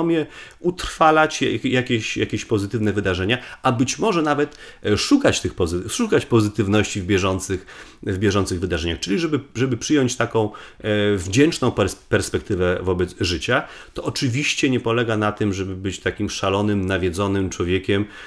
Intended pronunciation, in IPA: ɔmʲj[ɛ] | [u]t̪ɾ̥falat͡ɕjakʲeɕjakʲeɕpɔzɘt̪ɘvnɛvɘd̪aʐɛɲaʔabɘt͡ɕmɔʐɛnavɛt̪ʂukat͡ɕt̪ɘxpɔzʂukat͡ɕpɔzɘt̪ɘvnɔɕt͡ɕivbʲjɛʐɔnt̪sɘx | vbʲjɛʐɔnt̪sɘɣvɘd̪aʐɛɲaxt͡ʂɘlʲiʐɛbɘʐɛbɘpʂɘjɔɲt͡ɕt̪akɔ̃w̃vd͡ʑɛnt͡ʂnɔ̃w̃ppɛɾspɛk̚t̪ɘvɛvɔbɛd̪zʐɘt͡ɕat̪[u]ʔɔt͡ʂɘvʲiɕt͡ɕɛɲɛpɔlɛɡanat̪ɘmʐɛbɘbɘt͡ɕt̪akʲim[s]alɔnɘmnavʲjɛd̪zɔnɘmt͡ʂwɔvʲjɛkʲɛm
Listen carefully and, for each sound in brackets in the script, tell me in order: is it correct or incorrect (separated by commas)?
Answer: correct, correct, incorrect, incorrect